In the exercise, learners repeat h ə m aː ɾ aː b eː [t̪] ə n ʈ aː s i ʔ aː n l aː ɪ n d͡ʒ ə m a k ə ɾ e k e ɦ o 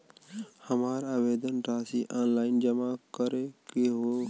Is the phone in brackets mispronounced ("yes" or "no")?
yes